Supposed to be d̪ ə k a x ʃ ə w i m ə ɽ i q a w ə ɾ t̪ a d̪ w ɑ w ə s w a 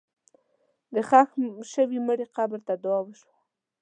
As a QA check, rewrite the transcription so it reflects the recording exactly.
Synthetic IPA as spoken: d̪ ə x a x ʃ ə w i m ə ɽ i q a b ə ɾ t̪ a d̪ w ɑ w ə ʃ w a